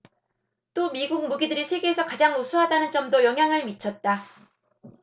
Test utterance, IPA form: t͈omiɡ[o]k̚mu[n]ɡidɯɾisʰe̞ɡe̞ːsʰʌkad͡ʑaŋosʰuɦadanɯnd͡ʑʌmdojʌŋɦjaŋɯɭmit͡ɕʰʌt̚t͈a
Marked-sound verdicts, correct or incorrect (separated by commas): incorrect, incorrect